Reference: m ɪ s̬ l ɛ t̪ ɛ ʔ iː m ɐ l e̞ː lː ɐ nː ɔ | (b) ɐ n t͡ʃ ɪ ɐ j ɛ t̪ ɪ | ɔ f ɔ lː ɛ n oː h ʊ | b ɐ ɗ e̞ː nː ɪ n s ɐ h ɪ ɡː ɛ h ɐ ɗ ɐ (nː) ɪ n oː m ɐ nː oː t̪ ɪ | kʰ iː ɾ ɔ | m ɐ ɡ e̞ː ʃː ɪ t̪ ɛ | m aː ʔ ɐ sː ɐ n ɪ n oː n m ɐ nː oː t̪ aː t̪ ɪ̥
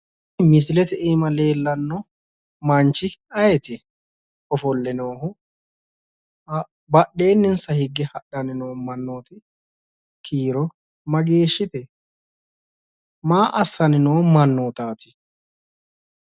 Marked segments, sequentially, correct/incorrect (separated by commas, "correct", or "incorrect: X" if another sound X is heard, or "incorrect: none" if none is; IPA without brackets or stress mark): incorrect: m, incorrect: n